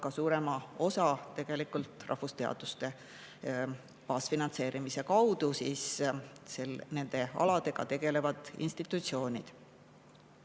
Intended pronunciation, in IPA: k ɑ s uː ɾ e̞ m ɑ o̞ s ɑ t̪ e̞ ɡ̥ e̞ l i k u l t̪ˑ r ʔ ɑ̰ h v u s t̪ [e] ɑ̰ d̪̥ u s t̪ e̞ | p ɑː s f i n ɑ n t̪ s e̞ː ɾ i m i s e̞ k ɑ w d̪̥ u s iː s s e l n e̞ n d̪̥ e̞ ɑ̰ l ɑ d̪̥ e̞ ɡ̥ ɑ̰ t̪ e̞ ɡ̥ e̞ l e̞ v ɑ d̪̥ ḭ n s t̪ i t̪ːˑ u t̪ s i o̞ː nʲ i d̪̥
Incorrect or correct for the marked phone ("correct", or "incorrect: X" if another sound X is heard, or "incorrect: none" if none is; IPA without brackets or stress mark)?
correct